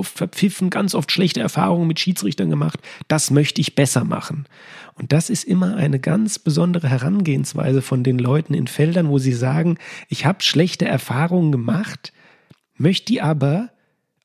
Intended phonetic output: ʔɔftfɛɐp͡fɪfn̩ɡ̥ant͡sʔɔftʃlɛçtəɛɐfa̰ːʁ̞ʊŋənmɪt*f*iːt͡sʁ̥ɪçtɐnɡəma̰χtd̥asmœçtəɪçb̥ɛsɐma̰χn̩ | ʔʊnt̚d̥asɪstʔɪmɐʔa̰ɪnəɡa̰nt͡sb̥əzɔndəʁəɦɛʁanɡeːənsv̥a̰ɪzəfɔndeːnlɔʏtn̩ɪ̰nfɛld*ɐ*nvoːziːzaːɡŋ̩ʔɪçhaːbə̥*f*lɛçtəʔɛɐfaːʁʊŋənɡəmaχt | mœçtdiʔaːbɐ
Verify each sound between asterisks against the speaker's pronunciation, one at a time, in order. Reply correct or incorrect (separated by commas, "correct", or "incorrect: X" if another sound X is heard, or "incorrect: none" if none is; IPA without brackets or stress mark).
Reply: incorrect: ʃ, correct, incorrect: ʃ